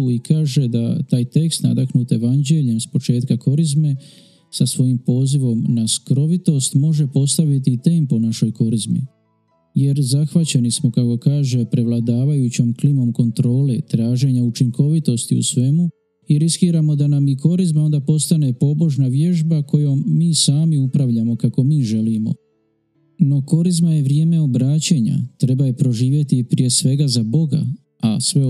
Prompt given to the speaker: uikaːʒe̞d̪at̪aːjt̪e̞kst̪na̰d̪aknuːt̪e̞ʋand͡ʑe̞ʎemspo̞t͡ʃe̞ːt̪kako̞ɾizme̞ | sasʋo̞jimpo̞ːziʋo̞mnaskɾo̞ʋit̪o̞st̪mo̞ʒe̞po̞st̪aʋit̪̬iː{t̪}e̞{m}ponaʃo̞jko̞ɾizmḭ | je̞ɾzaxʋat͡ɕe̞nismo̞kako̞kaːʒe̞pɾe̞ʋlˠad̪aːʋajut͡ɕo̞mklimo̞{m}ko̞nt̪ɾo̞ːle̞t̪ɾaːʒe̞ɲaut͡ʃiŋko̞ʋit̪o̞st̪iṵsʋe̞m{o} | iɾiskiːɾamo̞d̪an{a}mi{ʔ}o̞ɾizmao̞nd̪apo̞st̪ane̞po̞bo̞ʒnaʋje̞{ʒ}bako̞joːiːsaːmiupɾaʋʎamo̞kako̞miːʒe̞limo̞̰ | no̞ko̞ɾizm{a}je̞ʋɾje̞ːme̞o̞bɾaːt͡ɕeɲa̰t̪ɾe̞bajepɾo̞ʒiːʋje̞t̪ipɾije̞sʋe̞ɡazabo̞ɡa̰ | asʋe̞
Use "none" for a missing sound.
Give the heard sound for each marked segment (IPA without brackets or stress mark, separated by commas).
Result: t̪, m, m, u, a, k, ʒ, a